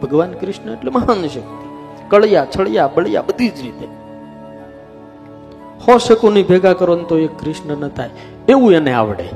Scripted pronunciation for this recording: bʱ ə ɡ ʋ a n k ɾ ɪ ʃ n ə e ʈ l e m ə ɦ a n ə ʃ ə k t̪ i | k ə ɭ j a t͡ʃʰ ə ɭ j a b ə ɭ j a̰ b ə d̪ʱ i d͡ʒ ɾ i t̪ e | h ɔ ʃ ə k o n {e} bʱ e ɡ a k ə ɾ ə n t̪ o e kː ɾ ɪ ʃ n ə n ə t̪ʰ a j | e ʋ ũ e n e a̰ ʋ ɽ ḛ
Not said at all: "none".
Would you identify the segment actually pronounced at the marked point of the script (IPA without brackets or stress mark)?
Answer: i